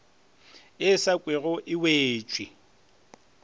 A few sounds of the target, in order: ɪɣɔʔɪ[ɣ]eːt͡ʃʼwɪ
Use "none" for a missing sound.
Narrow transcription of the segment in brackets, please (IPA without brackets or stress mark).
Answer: w